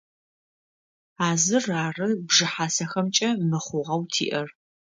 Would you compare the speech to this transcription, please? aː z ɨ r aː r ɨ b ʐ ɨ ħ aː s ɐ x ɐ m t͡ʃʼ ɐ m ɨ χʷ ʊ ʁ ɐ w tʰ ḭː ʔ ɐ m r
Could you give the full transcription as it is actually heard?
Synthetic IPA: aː z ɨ r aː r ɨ b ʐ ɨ ħ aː s ɐ x ɐ m t͡ʃʼ ɐ m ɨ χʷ ʊ ʁ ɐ w tʰ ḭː ʔ ɐ r

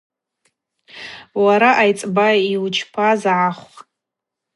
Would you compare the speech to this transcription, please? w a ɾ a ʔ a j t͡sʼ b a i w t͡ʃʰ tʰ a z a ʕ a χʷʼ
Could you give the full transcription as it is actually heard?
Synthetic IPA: w a ɾ a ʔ a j t͡sʼ b a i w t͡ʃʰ pʰ a z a ʕ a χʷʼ

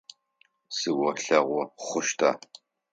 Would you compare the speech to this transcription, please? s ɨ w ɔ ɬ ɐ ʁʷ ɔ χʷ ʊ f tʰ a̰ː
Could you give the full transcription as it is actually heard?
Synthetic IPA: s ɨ w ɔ ɬ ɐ ʁʷ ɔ χʷ ʊ ʃ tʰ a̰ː

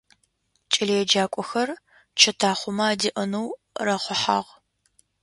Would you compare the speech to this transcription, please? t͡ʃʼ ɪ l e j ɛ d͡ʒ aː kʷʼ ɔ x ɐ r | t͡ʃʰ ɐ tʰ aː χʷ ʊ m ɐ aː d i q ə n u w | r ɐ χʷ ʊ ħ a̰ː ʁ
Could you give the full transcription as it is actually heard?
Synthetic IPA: t͡ʃʼ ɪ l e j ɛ d͡ʒ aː kʷʼ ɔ x ɐ r | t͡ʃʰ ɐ tʰ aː χʷ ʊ m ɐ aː d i ʔ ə n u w | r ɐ χʷ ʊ ħ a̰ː ʁ

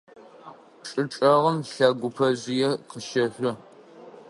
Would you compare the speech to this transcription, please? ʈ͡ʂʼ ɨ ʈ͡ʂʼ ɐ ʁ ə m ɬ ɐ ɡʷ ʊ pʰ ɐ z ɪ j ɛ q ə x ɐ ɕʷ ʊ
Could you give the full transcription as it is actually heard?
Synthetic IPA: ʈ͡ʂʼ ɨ ʈ͡ʂʼ ɐ ʁ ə m ɬ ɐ ɡʷ ʊ pʰ ɐ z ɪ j ɛ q ə ʃ ɐ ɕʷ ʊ

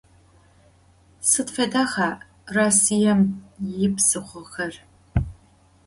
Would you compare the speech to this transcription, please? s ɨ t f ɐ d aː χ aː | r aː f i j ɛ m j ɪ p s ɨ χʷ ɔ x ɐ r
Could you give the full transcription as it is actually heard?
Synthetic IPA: s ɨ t f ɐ d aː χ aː | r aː s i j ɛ m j ɪ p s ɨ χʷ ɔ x ɐ r

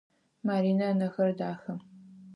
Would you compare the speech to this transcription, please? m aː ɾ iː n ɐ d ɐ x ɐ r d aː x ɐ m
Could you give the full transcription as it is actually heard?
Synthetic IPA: m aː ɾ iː n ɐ n ɐ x ɐ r d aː x ɐ m

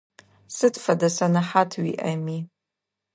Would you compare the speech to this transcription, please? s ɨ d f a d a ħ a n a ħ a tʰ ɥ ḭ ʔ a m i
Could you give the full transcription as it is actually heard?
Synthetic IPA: s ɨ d f a d a s a n a ħ a tʰ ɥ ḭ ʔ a m i

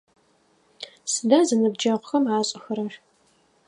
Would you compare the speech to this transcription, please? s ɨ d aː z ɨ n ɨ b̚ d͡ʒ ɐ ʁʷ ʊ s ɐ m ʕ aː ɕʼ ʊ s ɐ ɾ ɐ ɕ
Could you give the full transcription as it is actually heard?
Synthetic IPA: s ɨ d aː z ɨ n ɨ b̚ d͡ʒ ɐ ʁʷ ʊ x ɐ m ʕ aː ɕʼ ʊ x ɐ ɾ ɐ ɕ

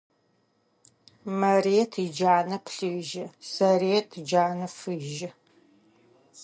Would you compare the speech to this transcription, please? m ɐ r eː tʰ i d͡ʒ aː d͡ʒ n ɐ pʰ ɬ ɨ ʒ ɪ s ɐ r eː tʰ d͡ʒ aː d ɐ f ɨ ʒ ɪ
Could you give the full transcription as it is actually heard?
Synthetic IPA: m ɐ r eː tʰ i d͡ʒ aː n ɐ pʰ ɬ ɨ ʒ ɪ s ɐ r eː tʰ d͡ʒ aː n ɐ f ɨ ʒ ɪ

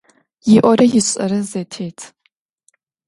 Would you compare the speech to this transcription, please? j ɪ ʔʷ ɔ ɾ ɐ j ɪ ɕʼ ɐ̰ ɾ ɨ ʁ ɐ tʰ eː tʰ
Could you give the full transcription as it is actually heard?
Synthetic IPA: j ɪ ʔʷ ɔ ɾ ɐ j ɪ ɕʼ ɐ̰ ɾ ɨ z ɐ tʰ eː tʰ

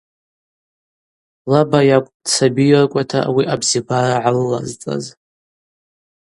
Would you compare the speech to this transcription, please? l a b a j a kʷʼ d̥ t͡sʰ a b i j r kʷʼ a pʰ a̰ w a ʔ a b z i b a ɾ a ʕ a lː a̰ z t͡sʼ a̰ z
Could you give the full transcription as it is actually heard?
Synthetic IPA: l a b a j a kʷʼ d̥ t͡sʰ a b i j r kʷʼ a tʰ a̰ w i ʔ a b z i b a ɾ a ʕ a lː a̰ z t͡sʼ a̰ z

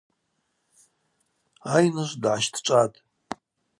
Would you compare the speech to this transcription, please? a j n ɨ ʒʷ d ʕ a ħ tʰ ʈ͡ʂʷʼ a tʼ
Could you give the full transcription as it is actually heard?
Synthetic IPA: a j n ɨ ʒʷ d ʕ a ʃ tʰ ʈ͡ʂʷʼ a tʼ

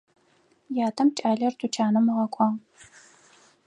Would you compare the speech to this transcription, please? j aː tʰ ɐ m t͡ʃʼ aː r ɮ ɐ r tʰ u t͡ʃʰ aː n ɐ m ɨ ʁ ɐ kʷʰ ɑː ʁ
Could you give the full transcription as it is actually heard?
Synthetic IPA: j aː tʰ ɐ m t͡ʃʼ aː ɮ ɐ r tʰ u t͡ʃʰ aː n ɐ m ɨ ʁ ɐ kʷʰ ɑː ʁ

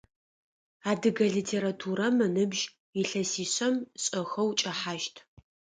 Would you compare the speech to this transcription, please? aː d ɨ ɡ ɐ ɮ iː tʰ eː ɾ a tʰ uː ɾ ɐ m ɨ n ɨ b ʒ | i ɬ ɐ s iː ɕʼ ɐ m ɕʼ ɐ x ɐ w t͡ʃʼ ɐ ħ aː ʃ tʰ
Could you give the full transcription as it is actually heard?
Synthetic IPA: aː d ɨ ɡ ɐ ɮ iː tʰ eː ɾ a tʰ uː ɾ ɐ m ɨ n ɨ b ʒ | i ɬ ɐ s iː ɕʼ ɐ m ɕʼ ɐ x ɐ w t͡ʃʼ ɐ ħ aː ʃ tʰ

